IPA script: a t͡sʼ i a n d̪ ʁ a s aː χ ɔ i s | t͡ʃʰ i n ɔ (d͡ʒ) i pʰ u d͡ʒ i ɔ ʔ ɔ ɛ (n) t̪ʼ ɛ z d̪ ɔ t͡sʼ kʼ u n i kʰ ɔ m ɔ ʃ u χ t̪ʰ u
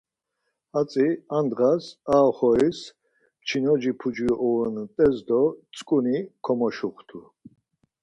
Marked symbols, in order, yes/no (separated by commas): yes, yes